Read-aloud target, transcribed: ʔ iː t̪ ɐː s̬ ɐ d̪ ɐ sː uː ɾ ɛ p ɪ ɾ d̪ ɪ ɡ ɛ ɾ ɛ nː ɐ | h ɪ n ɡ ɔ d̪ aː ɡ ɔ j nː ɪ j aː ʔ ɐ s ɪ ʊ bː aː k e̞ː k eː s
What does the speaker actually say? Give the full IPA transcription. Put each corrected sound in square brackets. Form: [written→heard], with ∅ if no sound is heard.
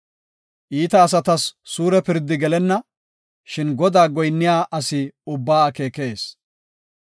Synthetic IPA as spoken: ʔ iː t̪ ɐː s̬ ɐ [d̪→t̪] ɐ sː uː ɾ ɛ p ɪ ɾ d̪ ɪ ɡ ɛ [ɾ→l] ɛ nː ɐ | [h→ʃ] ɪ n ɡ ɔ d̪ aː ɡ ɔ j nː ɪ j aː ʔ ɐ s ɪ ʊ bː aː k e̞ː k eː s

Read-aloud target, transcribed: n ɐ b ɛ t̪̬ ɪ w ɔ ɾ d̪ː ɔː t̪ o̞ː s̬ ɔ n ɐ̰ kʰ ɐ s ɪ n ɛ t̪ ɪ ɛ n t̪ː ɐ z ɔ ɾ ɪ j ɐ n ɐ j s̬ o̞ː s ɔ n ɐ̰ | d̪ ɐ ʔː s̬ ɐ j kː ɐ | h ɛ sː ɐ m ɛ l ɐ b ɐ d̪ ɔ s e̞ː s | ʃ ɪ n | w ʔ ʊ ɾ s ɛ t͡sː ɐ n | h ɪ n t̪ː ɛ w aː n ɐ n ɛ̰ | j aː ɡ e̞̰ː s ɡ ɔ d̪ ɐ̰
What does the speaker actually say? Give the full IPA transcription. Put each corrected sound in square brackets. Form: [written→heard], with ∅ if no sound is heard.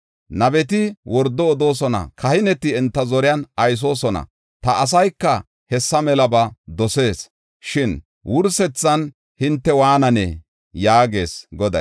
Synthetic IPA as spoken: n ɐ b ɛ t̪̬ ɪ w ɔ ɾ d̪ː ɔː [t̪→d̪] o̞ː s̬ ɔ n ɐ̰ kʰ ɐ [s→h] ɪ n ɛ t̪ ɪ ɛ n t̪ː ɐ z ɔ ɾ ɪ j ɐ n ɐ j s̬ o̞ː s ɔ n ɐ̰ | [d̪→t̪] ɐ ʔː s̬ ɐ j kː ɐ | h ɛ sː ɐ m ɛ l ɐ b ɐ d̪ ɔ s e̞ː s | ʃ ɪ n | w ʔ ʊ ɾ s ɛ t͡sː ɐ n | h ɪ n t̪ː ɛ w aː n ɐ n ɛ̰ | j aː ɡ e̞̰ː s ɡ ɔ d̪ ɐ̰

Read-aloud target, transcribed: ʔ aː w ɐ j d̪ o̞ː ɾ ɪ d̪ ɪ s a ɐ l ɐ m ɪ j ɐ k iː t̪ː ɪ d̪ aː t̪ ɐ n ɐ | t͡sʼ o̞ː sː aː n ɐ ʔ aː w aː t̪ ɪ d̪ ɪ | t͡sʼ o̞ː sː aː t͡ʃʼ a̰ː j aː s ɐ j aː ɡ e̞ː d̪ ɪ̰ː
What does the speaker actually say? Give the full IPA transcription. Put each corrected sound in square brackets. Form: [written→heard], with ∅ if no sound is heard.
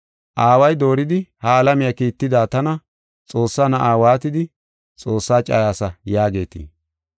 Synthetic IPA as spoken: ʔ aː w ɐ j d̪ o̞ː ɾ ɪ d̪ ɪ [s→h] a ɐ l ɐ m ɪ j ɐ k iː t̪ː ɪ d̪ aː t̪ ɐ n ɐ | t͡sʼ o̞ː sː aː n ɐ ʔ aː w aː t̪ ɪ d̪ ɪ | t͡sʼ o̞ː sː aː t͡ʃʼ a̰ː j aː s ɐ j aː ɡ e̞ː [d̪→t̪] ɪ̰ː

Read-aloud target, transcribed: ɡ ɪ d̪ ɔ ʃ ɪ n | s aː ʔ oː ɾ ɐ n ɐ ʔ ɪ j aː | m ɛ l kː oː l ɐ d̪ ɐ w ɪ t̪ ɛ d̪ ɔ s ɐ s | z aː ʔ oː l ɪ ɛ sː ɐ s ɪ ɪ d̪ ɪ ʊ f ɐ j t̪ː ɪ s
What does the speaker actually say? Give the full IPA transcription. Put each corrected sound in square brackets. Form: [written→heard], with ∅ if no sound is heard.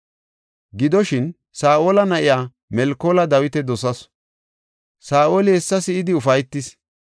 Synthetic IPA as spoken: ɡ ɪ d̪ ɔ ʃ ɪ n | s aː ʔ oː [ɾ→l] ɐ n ɐ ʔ ɪ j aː | m ɛ l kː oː l ɐ d̪ ɐ w ɪ t̪ ɛ d̪ ɔ s ɐ s | [z→s] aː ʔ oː l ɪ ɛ sː ɐ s ɪ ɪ d̪ ɪ ʊ f ɐ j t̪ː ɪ s

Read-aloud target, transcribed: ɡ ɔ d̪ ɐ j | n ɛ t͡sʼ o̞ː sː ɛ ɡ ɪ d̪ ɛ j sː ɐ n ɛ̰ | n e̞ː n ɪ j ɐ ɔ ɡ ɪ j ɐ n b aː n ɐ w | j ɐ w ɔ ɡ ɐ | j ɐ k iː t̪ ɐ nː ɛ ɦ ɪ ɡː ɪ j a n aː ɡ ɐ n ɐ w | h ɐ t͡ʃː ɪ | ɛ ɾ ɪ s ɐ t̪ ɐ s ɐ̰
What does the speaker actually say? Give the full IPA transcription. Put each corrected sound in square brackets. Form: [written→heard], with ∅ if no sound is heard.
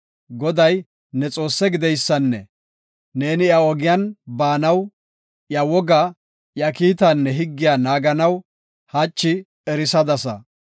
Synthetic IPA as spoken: ɡ ɔ d̪ ɐ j | n ɛ t͡sʼ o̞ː sː ɛ ɡ ɪ d̪ ɛ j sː ɐ [n→nː] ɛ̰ | n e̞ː n ɪ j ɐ ɔ ɡ ɪ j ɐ n b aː n ɐ w | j ɐ w ɔ ɡ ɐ | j ɐ k iː t̪ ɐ nː ɛ ɦ ɪ ɡː ɪ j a n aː ɡ ɐ n ɐ w | h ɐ t͡ʃː ɪ | ɛ ɾ ɪ s ɐ [t̪→d̪] ɐ s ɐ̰

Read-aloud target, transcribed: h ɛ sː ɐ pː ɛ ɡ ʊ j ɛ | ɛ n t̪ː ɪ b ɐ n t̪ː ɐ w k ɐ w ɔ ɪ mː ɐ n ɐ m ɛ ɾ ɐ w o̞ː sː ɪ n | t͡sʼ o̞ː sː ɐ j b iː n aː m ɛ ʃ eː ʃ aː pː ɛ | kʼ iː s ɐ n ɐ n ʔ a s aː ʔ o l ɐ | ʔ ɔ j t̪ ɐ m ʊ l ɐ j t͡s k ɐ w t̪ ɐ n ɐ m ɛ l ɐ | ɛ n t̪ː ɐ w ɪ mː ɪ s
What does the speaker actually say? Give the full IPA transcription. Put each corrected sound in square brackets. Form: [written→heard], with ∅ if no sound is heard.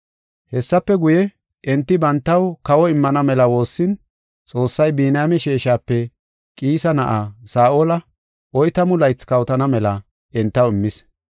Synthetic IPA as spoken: h ɛ sː ɐ pː ɛ ɡ ʊ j ɛ | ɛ n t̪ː ɪ b ɐ n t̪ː ɐ w k ɐ w ɔ ɪ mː ɐ n ɐ m ɛ [ɾ→l] ɐ w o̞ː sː ɪ n | t͡sʼ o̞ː sː ɐ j b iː n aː m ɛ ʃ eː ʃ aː pː ɛ | kʼ iː s ɐ n ɐ [n→∅] ʔ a s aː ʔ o l ɐ | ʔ ɔ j t̪ ɐ m ʊ l ɐ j t͡s k ɐ w t̪ ɐ n ɐ m ɛ l ɐ | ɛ n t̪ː ɐ w ɪ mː ɪ s

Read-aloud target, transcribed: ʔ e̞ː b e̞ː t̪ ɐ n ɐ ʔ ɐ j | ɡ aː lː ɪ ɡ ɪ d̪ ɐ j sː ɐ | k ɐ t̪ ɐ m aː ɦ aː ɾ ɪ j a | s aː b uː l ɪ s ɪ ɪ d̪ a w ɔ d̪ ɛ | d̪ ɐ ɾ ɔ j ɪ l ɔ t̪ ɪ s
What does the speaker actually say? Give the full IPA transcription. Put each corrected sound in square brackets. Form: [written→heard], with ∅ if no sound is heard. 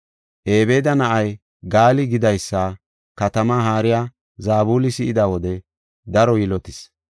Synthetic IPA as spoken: ʔ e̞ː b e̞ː [t̪→d̪] ɐ n ɐ ʔ ɐ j | ɡ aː [lː→l] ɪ ɡ ɪ d̪ ɐ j sː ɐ | k ɐ t̪ ɐ m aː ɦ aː ɾ ɪ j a | [s→z] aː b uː l ɪ s ɪ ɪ d̪ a w ɔ d̪ ɛ | d̪ ɐ ɾ ɔ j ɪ l ɔ t̪ ɪ s

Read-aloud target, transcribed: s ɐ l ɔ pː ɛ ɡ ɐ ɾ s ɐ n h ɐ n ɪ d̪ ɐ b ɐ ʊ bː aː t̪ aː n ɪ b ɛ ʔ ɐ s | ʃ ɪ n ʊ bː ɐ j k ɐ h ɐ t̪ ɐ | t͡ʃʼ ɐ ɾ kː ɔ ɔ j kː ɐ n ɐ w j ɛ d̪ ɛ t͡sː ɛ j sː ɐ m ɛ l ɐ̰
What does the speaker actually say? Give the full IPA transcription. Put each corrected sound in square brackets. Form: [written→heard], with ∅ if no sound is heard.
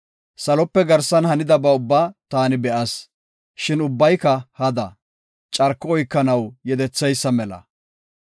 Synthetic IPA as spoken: s ɐ l ɔ pː ɛ ɡ ɐ ɾ s ɐ n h ɐ n ɪ d̪ ɐ b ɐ ʊ bː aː t̪ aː n ɪ b ɛ ʔ ɐ s | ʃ ɪ n ʊ bː ɐ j k ɐ h ɐ [t̪→d̪] ɐ | t͡ʃʼ ɐ ɾ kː ɔ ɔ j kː ɐ n ɐ w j ɛ d̪ ɛ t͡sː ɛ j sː ɐ m ɛ l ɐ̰

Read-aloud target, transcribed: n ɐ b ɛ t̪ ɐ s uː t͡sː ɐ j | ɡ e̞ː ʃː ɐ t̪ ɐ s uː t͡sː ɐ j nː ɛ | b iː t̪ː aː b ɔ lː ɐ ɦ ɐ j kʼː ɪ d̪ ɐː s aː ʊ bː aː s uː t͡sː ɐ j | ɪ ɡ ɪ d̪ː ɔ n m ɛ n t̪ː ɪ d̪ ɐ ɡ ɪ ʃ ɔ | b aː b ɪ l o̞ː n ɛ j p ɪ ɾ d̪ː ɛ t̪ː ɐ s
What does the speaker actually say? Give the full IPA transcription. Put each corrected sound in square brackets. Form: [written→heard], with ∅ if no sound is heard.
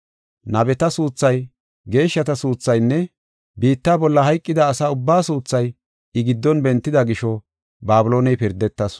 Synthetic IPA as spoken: n ɐ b ɛ t̪ ɐ s uː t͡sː ɐ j | ɡ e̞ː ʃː ɐ t̪ ɐ s uː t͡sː ɐ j nː ɛ | b iː t̪ː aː b ɔ lː ɐ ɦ ɐ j kʼː ɪ d̪ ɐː s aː ʊ bː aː s uː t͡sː ɐ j | ɪ ɡ ɪ d̪ː ɔ n [m→b] ɛ n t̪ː ɪ d̪ ɐ ɡ ɪ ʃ ɔ | b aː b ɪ l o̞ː n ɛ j p ɪ ɾ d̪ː ɛ t̪ː ɐ s

